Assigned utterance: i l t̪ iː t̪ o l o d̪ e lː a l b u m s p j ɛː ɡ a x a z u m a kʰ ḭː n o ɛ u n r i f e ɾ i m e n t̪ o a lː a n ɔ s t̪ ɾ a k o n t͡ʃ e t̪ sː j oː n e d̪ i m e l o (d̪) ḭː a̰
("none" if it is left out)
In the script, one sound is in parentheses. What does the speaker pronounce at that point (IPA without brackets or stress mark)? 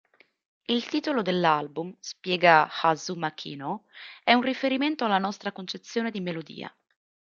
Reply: d̪